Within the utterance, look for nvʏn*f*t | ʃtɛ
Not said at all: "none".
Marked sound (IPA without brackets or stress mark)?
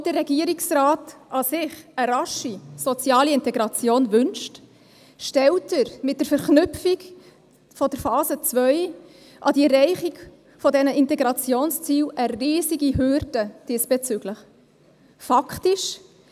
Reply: ʃ